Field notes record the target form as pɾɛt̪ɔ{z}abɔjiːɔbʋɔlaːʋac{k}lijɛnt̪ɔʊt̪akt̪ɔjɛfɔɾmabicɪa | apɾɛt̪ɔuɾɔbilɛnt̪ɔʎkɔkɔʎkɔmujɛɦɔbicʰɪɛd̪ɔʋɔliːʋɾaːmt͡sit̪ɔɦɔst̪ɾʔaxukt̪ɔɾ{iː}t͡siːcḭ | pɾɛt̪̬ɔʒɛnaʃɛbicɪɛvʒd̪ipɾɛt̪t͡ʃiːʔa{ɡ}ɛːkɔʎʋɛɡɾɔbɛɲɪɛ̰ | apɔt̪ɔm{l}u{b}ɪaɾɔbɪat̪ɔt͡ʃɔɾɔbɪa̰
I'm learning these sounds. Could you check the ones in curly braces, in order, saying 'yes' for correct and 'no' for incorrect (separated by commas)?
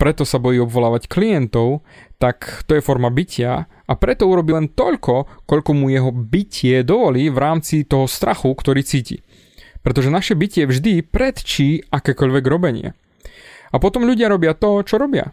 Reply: no, yes, yes, no, no, no